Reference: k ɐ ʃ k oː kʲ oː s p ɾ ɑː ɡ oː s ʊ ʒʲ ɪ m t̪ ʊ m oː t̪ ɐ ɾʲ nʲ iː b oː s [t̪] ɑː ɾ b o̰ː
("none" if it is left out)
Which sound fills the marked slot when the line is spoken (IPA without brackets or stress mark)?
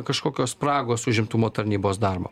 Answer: d̪